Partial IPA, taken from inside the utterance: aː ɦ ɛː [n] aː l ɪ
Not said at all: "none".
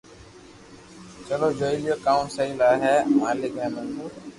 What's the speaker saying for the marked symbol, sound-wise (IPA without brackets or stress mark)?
m